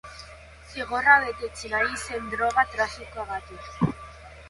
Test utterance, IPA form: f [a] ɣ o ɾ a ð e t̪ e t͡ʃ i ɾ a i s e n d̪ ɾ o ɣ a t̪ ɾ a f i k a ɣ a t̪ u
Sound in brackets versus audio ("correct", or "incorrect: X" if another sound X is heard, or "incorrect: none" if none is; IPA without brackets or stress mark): incorrect: i